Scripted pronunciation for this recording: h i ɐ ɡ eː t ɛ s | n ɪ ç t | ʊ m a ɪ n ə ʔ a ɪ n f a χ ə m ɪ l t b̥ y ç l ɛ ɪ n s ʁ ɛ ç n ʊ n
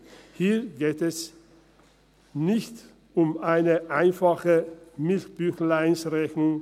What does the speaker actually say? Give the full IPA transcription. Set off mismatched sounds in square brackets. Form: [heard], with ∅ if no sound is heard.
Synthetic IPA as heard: h [iː] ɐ ɡ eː t ɛ s | n ɪ ç t | ʊ m a ɪ n ə ʔ a ɪ n f a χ ə m ɪ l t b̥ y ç l [a] ɪ n s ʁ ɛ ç n ʊ [ŋ]